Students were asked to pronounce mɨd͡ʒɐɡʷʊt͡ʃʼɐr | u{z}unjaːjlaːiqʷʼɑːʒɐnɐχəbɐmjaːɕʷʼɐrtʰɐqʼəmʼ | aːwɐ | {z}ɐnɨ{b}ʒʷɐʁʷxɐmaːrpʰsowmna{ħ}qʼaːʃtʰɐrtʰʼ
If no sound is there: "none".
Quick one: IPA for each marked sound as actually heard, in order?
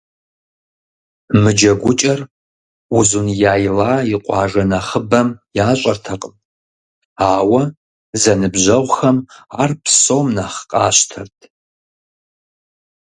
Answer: z, z, b, χ

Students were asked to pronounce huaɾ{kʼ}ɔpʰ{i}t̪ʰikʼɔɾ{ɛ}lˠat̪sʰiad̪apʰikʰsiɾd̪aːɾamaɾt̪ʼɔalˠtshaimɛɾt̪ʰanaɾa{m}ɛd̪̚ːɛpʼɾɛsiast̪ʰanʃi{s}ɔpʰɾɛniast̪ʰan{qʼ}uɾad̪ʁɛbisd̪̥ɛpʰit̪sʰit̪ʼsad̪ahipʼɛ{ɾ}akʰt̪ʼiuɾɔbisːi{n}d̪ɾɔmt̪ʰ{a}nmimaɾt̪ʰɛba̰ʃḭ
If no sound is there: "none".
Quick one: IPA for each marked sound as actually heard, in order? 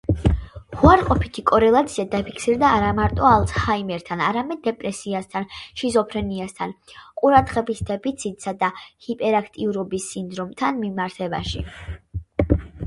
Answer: qʼ, i, ɛ, m, z, qʼ, ɾ, n, a

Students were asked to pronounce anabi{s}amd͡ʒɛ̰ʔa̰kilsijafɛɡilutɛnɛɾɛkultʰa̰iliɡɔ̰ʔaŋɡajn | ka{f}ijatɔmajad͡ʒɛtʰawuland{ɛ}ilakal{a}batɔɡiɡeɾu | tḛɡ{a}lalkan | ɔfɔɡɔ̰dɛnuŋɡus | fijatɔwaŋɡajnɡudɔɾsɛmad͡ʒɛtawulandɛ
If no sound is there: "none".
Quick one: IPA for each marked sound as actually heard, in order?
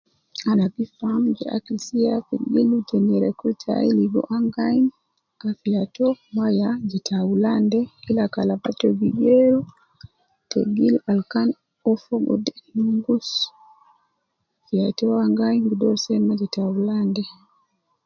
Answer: f, f, ɛ, a, i

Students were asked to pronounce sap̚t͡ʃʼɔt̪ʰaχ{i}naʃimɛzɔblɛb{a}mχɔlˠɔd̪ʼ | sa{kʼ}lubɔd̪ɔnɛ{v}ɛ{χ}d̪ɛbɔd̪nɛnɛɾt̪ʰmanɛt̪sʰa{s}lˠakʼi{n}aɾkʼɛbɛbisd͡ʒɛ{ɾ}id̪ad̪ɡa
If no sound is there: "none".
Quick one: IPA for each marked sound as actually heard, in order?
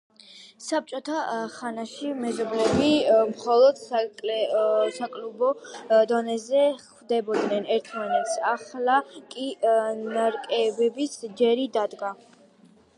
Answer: a, i, kʼ, z, χ, χ, n, ɾ

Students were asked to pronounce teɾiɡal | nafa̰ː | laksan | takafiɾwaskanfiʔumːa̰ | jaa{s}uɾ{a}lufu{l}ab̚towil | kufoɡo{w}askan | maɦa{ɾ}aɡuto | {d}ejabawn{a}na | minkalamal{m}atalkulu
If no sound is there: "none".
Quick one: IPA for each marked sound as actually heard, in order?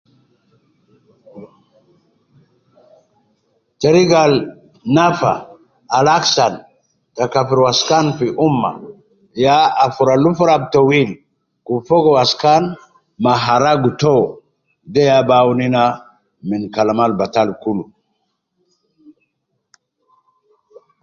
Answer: f, a, ɾ, w, ɾ, d, i, b

